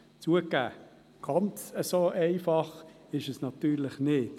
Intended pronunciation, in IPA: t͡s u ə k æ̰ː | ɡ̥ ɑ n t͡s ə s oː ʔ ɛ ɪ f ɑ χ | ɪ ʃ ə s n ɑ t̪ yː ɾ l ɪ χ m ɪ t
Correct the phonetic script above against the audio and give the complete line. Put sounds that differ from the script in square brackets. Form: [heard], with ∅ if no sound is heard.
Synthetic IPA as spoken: t͡s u ə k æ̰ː | ɡ̥ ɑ n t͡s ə s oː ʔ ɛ ɪ f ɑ χ | ɪ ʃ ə s n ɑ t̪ yː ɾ l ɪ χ [n] ɪ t